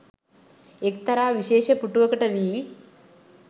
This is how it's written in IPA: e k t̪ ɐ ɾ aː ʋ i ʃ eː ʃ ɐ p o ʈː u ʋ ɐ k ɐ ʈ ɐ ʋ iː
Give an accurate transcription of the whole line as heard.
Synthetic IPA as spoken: e k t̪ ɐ ɾ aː ʋ i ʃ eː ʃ ɐ p u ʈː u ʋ ɐ k ɐ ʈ ɐ ʋ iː